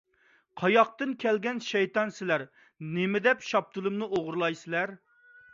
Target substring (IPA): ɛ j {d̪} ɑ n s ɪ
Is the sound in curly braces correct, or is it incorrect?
incorrect